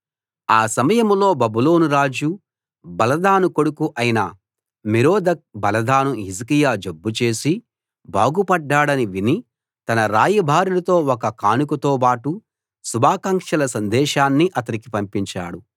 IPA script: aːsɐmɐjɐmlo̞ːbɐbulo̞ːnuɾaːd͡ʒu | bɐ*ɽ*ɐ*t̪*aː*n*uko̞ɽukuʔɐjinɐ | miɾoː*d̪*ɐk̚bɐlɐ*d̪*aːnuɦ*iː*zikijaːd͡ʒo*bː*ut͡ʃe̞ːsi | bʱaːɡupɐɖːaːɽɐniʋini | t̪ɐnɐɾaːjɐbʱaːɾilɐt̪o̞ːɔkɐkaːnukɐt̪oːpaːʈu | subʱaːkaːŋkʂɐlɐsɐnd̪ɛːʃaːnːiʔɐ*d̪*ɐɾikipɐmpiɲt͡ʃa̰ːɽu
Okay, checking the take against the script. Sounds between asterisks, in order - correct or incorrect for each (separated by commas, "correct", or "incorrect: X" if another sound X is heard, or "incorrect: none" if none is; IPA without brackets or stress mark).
incorrect: l, incorrect: d̪, correct, correct, correct, incorrect: i, correct, incorrect: t̪